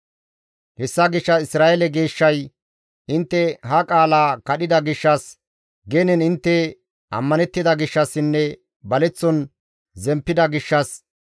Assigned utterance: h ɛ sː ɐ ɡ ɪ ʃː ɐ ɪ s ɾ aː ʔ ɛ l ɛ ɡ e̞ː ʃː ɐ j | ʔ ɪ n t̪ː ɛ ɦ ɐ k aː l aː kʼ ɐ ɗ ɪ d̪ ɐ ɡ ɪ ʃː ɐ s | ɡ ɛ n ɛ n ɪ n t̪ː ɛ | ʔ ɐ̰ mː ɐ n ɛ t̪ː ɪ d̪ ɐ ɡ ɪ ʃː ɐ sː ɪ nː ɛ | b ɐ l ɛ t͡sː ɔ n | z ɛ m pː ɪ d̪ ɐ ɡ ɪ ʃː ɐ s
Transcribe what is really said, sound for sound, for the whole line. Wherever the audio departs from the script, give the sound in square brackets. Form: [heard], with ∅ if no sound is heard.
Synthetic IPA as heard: h ɛ sː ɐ ɡ ɪ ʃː ɐ ɪ s ɾ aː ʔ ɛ l ɛ ɡ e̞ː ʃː ɐ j | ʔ ɪ n t̪ː ɛ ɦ ɐ [kʼ] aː l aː [k] ɐ ɗ ɪ d̪ ɐ ɡ ɪ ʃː ɐ s | ɡ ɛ n ɛ n ɪ n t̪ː ɛ | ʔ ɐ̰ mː ɐ n ɛ t̪ː ɪ d̪ ɐ ɡ ɪ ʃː ɐ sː ɪ nː ɛ | b ɐ l ɛ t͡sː ɔ n | z ɛ m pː ɪ d̪ ɐ ɡ ɪ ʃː ɐ s